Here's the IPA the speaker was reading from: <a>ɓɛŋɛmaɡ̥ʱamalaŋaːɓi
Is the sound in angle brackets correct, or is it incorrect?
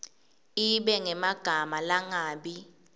incorrect